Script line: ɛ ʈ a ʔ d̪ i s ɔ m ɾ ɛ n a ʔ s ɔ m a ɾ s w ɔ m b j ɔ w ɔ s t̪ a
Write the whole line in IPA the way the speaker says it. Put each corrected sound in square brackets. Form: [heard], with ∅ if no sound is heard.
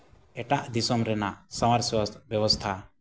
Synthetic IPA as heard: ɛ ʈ a ʔ d̪ i s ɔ m ɾ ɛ n a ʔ s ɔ m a ɾ s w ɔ [∅] b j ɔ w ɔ s [t̪ʰ] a